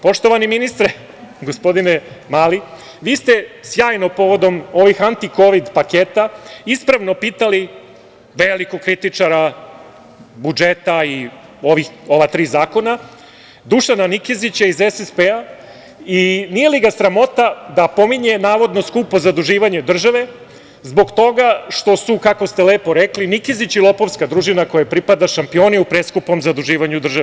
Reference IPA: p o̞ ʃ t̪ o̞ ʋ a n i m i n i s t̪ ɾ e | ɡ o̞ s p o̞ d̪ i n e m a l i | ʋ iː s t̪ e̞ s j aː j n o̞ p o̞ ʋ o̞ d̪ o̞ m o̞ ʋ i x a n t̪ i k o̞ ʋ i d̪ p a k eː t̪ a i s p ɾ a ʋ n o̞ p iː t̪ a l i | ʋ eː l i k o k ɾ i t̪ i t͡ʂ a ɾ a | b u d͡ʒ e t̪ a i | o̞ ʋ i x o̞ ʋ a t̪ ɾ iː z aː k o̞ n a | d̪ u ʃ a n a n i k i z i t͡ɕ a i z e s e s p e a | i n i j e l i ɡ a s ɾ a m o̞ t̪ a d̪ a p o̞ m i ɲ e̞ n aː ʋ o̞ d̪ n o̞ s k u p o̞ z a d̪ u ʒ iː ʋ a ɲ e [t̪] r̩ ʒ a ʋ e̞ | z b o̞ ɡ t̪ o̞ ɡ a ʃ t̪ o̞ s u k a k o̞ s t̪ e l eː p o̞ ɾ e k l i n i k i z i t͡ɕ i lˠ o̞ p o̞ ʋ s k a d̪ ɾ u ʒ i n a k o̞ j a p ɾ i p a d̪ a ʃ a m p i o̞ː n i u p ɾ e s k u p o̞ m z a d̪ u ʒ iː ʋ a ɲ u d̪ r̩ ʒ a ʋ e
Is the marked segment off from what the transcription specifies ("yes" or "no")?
yes